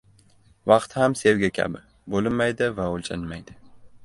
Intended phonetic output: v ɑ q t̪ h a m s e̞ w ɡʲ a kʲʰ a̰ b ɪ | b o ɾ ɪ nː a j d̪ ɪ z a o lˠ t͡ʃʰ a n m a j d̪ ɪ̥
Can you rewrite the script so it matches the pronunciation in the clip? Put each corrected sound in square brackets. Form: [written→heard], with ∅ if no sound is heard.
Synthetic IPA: v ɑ q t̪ h a m s e̞ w ɡʲ a kʲʰ a̰ b ɪ | b o [ɾ→l] ɪ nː a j d̪ ɪ [z→v] a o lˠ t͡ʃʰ a n m a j d̪ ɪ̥